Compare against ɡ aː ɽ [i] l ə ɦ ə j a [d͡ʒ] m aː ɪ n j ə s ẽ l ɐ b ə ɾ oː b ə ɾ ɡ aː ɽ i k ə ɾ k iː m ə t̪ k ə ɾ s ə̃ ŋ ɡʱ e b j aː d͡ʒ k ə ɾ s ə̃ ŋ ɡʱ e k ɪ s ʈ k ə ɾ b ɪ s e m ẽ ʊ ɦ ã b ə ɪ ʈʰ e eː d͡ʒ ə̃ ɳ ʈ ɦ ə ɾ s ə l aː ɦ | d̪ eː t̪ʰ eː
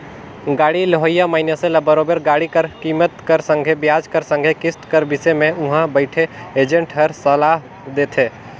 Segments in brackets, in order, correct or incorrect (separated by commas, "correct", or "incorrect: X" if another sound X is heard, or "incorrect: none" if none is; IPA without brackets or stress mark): correct, incorrect: none